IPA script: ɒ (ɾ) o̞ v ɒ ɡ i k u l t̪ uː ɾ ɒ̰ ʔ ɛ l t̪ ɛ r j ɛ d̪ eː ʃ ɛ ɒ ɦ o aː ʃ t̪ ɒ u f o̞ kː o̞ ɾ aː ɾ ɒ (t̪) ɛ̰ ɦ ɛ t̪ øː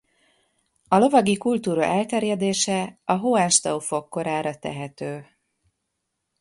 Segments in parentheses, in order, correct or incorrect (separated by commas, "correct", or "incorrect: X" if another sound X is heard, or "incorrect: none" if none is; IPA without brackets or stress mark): incorrect: l, correct